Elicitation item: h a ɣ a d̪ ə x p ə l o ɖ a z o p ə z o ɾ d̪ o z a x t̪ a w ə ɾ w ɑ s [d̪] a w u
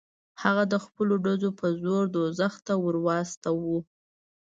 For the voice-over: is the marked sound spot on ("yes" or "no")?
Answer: no